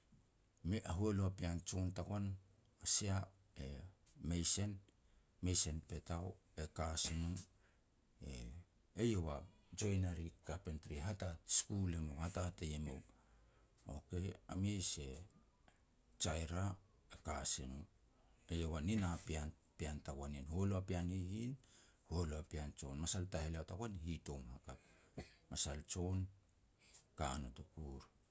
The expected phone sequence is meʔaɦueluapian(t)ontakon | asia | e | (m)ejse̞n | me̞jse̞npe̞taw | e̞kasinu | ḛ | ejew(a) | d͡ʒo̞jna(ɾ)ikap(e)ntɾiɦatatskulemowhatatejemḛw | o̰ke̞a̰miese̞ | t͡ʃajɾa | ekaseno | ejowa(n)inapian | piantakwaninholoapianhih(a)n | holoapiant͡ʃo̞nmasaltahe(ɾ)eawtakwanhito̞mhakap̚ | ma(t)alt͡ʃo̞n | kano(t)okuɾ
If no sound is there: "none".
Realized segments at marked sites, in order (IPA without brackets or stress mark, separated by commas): t͡ʃ, m, a, ɾ, e, n, i, l, s, t